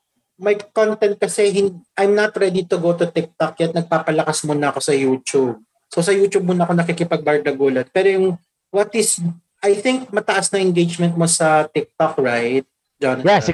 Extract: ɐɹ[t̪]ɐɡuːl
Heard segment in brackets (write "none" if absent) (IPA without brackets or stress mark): d̪